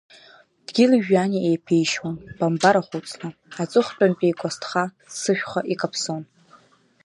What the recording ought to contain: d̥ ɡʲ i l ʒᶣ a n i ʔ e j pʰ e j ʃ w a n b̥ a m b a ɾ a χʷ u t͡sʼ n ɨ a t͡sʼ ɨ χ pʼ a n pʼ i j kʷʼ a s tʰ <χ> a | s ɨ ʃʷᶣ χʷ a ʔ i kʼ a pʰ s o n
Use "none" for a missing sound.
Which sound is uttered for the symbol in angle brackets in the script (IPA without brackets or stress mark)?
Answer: χ